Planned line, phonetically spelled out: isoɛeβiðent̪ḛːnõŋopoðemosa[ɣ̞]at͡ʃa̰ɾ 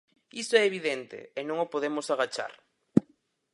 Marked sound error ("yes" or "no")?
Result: no